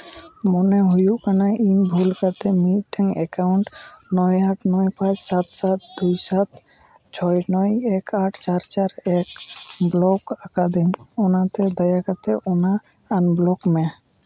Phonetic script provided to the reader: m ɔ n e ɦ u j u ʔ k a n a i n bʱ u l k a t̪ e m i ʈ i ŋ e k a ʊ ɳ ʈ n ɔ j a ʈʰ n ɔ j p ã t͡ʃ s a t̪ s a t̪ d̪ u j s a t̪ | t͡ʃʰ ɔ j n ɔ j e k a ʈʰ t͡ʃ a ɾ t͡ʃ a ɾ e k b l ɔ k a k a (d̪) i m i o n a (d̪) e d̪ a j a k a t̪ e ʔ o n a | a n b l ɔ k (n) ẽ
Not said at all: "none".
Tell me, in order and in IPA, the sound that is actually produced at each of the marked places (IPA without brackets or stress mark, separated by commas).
d̪, t̪, m